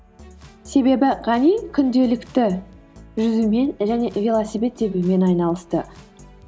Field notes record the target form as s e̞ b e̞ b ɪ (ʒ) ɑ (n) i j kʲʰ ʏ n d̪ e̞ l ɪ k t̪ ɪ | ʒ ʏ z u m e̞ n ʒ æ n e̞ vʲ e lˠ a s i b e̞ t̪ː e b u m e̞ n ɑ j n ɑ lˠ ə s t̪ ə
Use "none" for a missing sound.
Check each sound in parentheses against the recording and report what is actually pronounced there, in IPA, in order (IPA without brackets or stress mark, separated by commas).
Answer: ʁ, n